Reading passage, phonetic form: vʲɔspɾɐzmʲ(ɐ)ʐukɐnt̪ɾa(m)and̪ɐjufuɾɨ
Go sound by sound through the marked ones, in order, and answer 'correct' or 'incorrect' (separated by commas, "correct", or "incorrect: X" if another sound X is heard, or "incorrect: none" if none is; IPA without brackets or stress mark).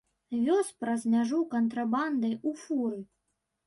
incorrect: a, incorrect: b